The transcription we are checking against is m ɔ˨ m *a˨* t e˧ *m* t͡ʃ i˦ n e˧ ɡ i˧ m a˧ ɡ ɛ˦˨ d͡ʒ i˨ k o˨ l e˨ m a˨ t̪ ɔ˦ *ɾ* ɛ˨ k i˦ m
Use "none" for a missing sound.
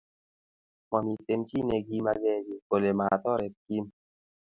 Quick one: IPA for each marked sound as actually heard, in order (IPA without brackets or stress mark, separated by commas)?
i˨, m, ɾ